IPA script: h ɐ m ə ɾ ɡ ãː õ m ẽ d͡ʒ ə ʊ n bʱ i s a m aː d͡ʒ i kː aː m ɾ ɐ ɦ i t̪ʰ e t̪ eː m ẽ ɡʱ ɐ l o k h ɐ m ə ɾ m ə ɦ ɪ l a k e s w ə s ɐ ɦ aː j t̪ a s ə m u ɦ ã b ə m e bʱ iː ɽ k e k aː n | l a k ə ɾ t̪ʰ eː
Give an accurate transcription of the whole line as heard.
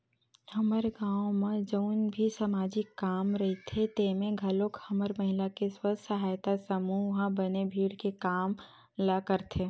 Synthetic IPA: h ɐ m ə ɾ ɡ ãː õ m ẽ d͡ʒ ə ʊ n bʱ i s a m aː d͡ʒ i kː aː m ɾ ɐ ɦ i t̪ʰ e t̪ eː m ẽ ɡʱ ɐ l o k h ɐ m ə ɾ m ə ɦ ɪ l a k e s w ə s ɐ ɦ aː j t̪ a s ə m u ɦ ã b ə n e bʱ iː ɽ k e k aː m | l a k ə ɾ t̪ʰ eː

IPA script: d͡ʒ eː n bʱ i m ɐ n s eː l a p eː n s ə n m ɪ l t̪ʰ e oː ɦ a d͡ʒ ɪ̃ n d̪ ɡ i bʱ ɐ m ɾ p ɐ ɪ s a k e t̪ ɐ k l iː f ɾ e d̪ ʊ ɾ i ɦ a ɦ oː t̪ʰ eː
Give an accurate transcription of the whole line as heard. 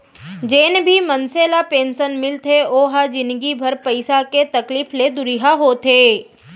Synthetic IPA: d͡ʒ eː n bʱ i m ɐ n s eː l a p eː n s ə n m ɪ l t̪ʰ e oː ɦ a d͡ʒ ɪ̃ n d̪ ɡ i bʱ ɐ ɾ p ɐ ɪ s a k e t̪ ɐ k l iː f l e d̪ ʊ ɾ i ɦ a ɦ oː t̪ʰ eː

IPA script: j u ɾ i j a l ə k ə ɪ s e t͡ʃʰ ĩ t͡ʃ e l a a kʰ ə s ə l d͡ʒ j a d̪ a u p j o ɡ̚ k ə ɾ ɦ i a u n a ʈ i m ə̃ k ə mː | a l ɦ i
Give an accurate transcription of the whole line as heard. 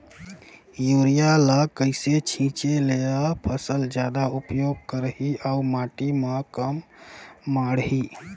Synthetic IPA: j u ɾ i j a l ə k ə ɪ s e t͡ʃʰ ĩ t͡ʃ e l e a pʰ ə s ə l d͡ʒ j a d̪ a u p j o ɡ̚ k ə ɾ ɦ i a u m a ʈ i m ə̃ k ə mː | a ɽ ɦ i

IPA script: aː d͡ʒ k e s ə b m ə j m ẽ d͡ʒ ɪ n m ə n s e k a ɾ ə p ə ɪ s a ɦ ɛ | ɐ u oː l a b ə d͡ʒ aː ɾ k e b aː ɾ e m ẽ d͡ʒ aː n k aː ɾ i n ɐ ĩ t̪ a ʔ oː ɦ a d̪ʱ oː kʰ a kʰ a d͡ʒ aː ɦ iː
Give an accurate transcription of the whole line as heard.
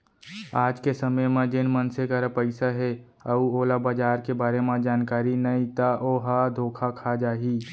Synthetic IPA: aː d͡ʒ k e s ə m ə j m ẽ d͡ʒ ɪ n m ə n s e k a ɾ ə p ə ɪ s a ɦ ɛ | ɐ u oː l a b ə d͡ʒ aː ɾ k e b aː ɾ e m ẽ d͡ʒ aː n k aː ɾ i n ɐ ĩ t̪ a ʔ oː ɦ a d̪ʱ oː kʰ a kʰ a d͡ʒ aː ɦ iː

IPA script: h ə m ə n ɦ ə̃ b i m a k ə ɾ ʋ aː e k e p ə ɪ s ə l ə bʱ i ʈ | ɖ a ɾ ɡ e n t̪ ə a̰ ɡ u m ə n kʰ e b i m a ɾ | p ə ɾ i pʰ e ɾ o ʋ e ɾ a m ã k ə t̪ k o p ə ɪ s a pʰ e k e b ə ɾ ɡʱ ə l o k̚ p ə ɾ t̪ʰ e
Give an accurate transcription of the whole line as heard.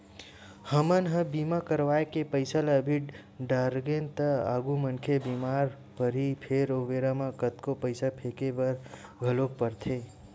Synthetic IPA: h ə m ə n ɦ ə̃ b i m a k ə ɾ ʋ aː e k e p ə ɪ s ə l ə bʱ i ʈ | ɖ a ɾ ɡ e n t̪ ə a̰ ɡ u m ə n kʰ e b i m a ɾ | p ə ɾ i pʰ e ɾ o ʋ e ɾ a m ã k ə t̪ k o p ə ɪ s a pʰ e k e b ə ɾ ɡʱ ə l o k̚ p ə ɾ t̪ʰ e

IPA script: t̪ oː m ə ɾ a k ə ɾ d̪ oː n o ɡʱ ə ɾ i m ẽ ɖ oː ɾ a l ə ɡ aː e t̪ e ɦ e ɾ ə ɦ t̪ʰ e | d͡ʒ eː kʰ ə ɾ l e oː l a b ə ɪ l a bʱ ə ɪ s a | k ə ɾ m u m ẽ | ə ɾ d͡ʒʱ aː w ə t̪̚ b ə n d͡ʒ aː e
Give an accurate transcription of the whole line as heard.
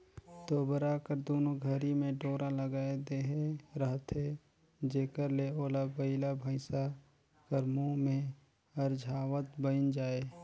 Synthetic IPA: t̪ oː b ə ɾ a k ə ɾ d̪ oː n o ɡʱ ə ɾ i m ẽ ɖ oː ɾ a l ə ɡ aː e d̪ e ɦ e ɾ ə ɦ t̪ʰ e | d͡ʒ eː k ə ɾ l e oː l a b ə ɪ l a bʱ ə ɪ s a | k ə ɾ m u m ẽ | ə ɾ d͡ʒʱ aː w ə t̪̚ b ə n d͡ʒ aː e

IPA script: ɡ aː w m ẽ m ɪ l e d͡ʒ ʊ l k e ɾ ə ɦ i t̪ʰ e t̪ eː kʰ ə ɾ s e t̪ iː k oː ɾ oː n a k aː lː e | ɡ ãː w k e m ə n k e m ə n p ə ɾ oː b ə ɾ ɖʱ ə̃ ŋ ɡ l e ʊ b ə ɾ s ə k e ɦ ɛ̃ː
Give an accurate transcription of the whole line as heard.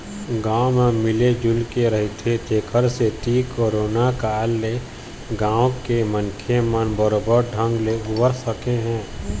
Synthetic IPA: ɡ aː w m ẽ m ɪ l e d͡ʒ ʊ l k e ɾ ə ɦ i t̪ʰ e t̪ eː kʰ ə ɾ s e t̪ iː k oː ɾ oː n a k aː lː e | ɡ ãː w k e m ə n kʰ e m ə n b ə ɾ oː b ə ɾ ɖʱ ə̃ ŋ ɡ l e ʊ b ə ɾ s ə k e ɦ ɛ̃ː

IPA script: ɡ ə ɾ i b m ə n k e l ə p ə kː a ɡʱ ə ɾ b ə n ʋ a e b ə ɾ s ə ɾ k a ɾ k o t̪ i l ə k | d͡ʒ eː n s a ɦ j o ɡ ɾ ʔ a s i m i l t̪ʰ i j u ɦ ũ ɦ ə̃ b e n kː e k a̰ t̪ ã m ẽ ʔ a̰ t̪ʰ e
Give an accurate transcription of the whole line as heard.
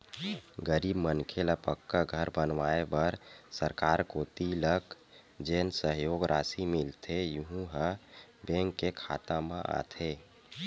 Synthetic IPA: ɡ ə ɾ i b m ə n kʰ e l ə p ə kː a ɡʱ ə ɾ b ə n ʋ a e b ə ɾ s ə ɾ k a ɾ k o t̪ i l ə k | d͡ʒ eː n s ə ɦ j o ɡ ɾ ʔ a s i m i l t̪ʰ e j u ɦ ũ ɦ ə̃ b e ŋ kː e kʰ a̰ t̪ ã m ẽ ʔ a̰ t̪ʰ e

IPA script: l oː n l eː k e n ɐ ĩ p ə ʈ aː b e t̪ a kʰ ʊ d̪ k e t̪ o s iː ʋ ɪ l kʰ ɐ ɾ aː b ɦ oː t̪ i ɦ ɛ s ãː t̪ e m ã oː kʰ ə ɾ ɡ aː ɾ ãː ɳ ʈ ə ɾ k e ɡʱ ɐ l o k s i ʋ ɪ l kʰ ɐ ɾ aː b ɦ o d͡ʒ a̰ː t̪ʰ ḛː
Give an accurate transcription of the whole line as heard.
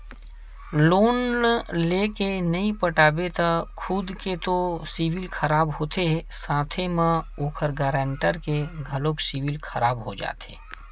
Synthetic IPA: l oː n l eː k e n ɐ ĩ p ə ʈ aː b e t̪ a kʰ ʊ d̪ k e t̪ o s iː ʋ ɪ l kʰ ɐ ɾ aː b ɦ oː t̪ e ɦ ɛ s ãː t̪ʰ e m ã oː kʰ ə ɾ ɡ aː ɾ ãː ɳ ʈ ə ɾ k e ɡʱ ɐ l o k s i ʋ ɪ l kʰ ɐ ɾ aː b ɦ o d͡ʒ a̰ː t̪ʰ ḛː

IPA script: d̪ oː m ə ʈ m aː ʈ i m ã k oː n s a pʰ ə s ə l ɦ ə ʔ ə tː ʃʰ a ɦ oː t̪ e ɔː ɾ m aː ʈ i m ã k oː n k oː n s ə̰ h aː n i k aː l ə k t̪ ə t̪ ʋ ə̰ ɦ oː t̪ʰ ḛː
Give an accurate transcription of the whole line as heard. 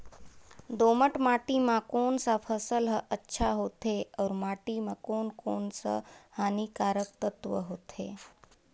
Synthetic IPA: d̪ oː m ə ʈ m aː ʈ i m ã k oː n s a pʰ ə s ə l ɦ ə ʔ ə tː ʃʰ a ɦ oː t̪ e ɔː ɾ m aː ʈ i m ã k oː n k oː n s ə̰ h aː n i k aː ɾ ə k t̪ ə t̪ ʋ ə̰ ɦ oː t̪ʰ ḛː

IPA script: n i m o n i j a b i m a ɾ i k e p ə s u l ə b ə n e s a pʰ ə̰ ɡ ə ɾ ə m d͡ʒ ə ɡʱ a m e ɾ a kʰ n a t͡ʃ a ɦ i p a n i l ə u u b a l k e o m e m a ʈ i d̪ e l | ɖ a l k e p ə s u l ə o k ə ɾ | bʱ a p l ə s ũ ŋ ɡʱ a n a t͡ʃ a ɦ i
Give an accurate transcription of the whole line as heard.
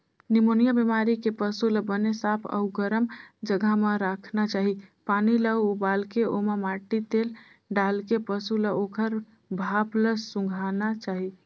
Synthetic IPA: n i m o n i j a b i m a ɾ i k e p ə s u l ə b ə n e s a pʰ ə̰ ɡ ə ɾ ə m d͡ʒ ə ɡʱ a m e ɾ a kʰ n a t͡ʃ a ɦ i p a n i l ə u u b a l k e o m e m a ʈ i t̪ e l | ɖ a l k e p ə s u l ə o k ə ɾ | bʱ a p l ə s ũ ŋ ɡʱ a n a t͡ʃ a ɦ i

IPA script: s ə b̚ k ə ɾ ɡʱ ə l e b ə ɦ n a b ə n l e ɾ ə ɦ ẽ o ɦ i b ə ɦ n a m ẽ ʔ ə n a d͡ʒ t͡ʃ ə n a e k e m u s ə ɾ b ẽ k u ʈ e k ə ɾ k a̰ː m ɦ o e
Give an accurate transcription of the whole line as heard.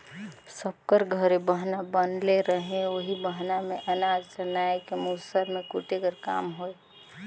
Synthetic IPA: s ə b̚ k ə ɾ ɡʱ ə ɾ e b ə ɦ n a b ə n l e ɾ ə ɦ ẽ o ɦ i b ə ɦ n a m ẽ ʔ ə n a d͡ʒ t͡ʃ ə n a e k e m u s ə ɾ m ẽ k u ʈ e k ə ɾ k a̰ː m ɦ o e

